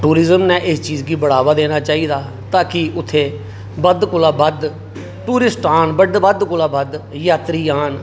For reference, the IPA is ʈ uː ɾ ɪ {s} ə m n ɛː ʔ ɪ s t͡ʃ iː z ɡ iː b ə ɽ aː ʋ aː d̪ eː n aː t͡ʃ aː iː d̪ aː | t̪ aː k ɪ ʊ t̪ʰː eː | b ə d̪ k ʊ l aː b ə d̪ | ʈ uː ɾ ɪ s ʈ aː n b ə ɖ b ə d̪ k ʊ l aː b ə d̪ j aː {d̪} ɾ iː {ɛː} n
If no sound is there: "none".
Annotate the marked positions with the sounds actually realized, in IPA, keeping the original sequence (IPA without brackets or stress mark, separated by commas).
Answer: z, t̪, aː